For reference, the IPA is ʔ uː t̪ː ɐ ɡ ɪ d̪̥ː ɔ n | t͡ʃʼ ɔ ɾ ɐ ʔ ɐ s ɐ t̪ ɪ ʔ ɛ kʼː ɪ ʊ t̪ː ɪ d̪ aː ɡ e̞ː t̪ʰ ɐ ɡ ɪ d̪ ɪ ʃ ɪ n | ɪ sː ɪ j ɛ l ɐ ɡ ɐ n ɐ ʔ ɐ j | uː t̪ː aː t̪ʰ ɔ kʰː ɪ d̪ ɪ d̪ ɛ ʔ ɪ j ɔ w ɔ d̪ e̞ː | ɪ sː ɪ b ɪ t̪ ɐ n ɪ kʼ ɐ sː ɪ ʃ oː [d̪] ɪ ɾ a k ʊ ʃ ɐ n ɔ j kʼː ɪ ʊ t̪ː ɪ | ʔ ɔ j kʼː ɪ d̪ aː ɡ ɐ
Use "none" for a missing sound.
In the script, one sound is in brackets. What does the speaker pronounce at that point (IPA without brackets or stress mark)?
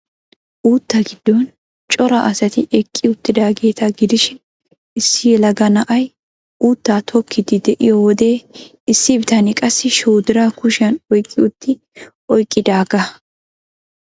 d̪